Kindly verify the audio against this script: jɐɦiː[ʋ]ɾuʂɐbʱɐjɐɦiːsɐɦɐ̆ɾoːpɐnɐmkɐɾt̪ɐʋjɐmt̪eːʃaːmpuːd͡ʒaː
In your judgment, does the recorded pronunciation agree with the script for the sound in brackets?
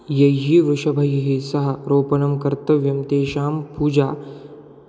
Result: yes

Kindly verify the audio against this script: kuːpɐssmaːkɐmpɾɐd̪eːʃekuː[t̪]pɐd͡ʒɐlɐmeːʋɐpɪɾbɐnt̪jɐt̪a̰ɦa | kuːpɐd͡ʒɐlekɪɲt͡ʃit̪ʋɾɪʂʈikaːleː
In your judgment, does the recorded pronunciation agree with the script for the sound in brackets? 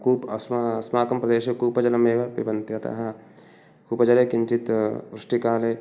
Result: no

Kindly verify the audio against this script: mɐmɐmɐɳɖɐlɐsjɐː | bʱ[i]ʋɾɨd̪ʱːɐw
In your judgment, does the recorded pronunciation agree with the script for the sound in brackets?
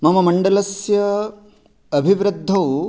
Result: yes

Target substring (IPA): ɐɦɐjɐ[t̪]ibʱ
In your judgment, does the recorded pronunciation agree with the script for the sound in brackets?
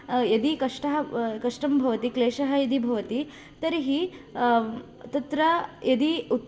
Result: no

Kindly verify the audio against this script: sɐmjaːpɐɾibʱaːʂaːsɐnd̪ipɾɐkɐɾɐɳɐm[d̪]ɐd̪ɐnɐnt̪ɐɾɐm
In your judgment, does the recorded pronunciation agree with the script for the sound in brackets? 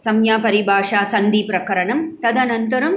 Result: no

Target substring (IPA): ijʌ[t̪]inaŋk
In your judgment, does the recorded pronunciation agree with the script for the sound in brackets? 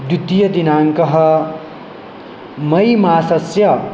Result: no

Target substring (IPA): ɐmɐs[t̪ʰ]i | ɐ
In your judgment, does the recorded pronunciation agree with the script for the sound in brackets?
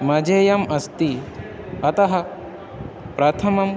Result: no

